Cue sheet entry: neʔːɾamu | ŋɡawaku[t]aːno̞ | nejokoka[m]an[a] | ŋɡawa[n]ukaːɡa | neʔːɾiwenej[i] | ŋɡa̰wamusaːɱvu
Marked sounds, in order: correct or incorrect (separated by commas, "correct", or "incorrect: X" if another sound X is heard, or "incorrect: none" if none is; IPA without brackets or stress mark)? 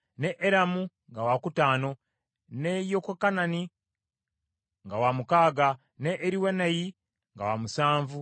correct, incorrect: n, incorrect: i, incorrect: m, correct